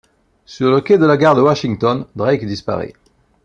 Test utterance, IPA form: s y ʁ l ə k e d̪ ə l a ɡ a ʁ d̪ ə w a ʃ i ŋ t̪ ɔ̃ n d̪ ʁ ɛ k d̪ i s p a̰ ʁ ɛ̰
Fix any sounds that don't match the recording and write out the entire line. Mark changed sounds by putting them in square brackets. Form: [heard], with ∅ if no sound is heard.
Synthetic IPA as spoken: s y ʁ l ə k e d̪ ə l a ɡ a ʁ d̪ ə w a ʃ i ŋ t̪ [ɔ] n d̪ ʁ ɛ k d̪ i s p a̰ ʁ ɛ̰

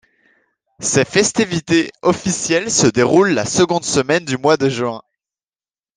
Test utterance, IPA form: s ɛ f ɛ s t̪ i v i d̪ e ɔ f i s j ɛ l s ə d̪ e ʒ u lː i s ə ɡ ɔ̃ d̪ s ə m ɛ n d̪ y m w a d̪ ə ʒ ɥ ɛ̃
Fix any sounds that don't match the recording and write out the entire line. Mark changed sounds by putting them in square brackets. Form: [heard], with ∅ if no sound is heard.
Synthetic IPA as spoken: s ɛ f ɛ s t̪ i v i [t̪] e ɔ f i s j ɛ l s ə d̪ e [ʁ] u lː [a] s ə ɡ ɔ̃ d̪ s ə m ɛ n d̪ y m w a d̪ ə ʒ ɥ ɛ̃

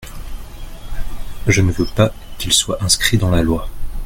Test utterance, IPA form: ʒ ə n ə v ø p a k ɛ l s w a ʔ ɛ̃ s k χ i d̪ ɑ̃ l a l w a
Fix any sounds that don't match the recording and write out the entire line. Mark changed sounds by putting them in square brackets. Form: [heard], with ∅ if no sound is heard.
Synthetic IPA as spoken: ʒ ə n ə v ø p a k [i] l s w a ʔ ɛ̃ s k χ i d̪ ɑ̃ l a l w a

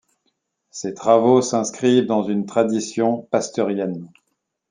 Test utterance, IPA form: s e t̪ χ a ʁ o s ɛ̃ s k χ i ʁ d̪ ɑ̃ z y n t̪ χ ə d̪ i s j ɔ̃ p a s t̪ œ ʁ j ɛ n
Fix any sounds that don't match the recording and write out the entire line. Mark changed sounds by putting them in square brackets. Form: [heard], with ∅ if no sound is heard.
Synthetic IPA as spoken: s e t̪ χ a [v] o s ɛ̃ s k χ i [v] d̪ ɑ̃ z y n t̪ χ [a] d̪ i s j ɔ̃ p a s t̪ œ ʁ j ɛ n

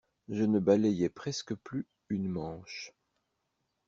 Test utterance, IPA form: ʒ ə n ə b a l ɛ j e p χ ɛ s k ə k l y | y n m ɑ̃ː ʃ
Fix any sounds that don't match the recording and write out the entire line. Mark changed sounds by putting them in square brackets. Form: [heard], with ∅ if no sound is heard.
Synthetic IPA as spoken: ʒ ə n ə b a l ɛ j [ɛ] p χ ɛ s k ə [p] l y | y n m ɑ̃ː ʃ

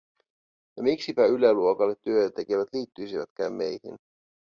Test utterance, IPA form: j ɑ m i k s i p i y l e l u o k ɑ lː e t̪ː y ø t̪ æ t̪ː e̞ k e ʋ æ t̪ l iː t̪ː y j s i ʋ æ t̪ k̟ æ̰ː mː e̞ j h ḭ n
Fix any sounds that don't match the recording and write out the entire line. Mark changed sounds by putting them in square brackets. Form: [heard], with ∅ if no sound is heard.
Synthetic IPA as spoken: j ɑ m i k s i p [æ] y l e l u o k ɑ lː e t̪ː y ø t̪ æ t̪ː e̞ k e ʋ æ t̪ l iː t̪ː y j s i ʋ æ t̪ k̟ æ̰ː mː e̞ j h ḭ n

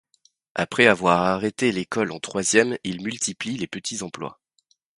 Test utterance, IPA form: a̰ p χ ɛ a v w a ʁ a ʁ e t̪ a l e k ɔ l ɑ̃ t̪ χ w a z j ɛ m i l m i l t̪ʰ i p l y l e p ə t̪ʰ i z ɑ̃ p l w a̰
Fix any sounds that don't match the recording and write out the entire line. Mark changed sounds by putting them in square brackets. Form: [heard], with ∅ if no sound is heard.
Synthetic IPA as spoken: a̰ p χ ɛ a v w a ʁ a ʁ e t̪ [e] l e k ɔ l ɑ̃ t̪ χ w a z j ɛ m i l m [y] l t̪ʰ i p l [i] l e p ə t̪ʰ i z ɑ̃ p l w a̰

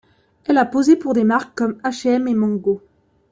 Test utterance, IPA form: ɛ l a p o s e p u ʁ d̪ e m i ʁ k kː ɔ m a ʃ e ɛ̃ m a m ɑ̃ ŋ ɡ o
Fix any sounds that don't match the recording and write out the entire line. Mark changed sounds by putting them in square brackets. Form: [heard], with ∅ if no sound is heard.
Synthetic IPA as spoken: ɛ l a p o [z] e p u ʁ d̪ e m [a] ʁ k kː ɔ m a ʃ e [ɛ] m [e] m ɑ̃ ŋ ɡ o

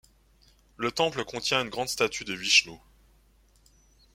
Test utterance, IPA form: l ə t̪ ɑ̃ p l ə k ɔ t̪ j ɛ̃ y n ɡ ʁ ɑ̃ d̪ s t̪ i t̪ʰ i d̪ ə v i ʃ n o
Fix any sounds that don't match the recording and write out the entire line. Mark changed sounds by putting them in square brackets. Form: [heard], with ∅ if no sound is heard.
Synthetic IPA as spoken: l ə t̪ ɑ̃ p l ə k [ɔ̃] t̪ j ɛ̃ y n ɡ ʁ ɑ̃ d̪ s t̪ [a] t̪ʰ [y] d̪ ə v i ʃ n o

